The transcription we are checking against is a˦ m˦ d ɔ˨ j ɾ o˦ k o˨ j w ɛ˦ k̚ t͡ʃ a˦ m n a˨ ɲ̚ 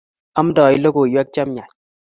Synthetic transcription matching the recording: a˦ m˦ d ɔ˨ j l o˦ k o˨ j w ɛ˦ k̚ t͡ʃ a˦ m ɲ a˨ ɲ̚